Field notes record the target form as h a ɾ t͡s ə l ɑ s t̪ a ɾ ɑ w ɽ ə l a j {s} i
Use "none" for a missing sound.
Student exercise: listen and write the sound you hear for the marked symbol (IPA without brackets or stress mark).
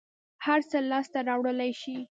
ʃ